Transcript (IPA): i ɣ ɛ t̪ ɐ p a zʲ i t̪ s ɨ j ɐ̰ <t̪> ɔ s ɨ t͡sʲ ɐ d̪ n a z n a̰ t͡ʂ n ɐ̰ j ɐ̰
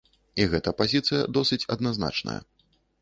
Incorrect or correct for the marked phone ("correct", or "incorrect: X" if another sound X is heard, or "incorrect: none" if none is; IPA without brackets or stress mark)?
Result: incorrect: d̪